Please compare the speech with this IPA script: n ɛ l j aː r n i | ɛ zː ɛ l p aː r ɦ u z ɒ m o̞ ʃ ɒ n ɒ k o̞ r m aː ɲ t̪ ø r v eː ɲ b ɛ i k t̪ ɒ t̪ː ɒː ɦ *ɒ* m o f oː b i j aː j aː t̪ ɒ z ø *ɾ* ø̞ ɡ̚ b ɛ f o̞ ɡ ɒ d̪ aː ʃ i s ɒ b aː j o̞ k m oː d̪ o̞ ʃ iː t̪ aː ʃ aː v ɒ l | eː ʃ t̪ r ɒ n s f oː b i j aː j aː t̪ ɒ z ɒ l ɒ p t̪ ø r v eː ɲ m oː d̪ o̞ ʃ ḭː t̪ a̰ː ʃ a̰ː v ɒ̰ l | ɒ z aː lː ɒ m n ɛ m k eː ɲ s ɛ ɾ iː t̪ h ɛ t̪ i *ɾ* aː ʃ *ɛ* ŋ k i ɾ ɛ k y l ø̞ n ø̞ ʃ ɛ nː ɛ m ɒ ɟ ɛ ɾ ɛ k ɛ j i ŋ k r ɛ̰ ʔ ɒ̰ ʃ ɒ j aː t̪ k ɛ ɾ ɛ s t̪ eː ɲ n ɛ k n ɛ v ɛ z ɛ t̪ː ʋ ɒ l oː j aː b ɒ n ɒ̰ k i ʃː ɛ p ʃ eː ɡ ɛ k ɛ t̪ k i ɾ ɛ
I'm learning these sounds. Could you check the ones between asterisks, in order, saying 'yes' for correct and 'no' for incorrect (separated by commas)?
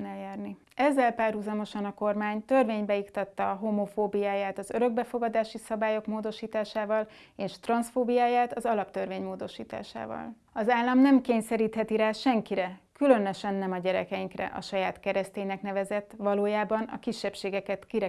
no, yes, yes, yes